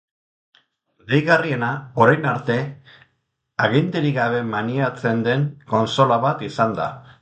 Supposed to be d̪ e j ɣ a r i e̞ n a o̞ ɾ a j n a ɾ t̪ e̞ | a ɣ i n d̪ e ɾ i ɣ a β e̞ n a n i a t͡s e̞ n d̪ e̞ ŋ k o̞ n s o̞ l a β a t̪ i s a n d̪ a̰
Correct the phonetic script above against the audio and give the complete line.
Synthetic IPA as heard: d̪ e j ɣ a r i e̞ n a o̞ ɾ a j n a ɾ t̪ e̞ | a ɣ i n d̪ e ɾ i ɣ a β e̞ m a n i a t͡s e̞ n d̪ e̞ ŋ k o̞ n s o̞ l a β a t̪ i s a n d̪ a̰